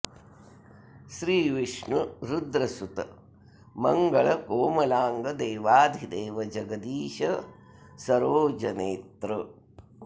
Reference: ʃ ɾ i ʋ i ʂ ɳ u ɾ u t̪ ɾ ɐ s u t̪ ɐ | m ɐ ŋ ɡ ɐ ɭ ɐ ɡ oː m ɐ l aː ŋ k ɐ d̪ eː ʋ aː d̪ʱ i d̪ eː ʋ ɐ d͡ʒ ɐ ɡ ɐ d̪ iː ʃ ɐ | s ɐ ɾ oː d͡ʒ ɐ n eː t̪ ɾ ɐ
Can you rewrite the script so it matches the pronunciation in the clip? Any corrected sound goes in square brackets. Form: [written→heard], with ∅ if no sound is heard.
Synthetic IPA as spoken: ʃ ɾ [i→iː] ʋ i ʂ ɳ u ɾ u [t̪→d̪] ɾ ɐ s u t̪ ɐ | m ɐ ŋ ɡ ɐ ɭ ɐ [ɡ→k] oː m ɐ l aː ŋ [k→ɡ] ɐ d̪ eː ʋ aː d̪ʱ i d̪ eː ʋ ɐ d͡ʒ ɐ ɡ ɐ d̪ iː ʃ ɐ | s ɐ ɾ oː d͡ʒ ɐ n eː t̪ ɾ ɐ